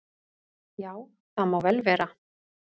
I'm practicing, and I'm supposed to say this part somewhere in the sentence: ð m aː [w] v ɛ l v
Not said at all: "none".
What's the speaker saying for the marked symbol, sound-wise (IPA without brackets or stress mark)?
w